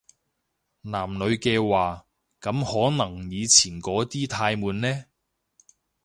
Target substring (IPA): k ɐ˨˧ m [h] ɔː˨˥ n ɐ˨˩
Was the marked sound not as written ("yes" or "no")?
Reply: no